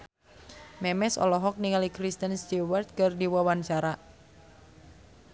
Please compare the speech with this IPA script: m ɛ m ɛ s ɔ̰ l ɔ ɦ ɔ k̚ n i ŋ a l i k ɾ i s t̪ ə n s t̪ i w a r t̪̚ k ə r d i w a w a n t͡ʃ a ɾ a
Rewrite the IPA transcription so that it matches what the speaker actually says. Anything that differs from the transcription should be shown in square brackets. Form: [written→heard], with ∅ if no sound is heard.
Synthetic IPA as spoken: m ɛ m ɛ s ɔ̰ l ɔ ɦ ɔ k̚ n i ŋ a l i k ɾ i s t̪ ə n s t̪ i w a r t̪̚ k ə r d i w a w a n t͡ʃ a ɾ a